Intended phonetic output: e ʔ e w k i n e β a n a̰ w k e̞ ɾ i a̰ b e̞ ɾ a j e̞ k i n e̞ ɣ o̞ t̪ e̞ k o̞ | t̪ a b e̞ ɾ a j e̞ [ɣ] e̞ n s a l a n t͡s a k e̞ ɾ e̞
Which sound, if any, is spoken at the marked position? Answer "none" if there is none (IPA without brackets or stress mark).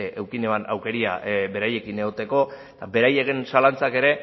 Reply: ɣ